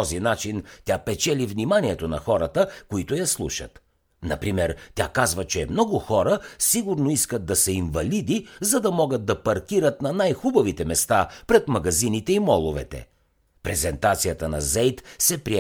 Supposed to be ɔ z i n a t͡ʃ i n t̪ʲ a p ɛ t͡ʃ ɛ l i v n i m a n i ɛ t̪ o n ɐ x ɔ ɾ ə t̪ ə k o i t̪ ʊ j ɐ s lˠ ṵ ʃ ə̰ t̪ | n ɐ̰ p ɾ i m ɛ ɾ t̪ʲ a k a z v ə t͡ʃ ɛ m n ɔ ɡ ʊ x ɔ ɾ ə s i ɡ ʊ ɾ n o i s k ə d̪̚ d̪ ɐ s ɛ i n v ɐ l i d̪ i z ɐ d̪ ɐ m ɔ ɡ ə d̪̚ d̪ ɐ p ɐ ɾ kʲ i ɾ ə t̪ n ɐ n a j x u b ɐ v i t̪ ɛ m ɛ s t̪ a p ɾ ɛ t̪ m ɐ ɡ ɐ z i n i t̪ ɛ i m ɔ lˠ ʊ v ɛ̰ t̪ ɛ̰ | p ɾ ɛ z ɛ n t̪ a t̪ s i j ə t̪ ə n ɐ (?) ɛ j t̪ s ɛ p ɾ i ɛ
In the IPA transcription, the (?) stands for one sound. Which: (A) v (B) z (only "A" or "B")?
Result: B